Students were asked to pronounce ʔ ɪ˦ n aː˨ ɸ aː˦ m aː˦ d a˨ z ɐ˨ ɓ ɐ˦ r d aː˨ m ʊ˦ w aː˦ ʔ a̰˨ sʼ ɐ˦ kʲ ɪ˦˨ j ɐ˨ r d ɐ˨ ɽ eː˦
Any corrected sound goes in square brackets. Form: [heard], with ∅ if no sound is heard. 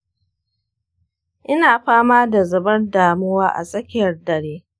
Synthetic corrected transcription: ʔ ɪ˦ n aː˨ ɸ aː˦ m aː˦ d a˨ z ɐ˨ [b] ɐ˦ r d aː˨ m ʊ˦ w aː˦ ʔ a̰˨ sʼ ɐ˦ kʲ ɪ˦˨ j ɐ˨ r d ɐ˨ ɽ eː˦